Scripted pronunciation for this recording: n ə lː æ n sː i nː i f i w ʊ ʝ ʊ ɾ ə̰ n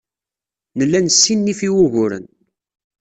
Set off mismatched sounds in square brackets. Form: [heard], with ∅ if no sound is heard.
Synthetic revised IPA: n ə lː æ n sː i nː i f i w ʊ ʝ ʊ ɾ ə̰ n